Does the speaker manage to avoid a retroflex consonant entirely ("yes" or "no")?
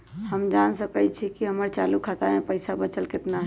yes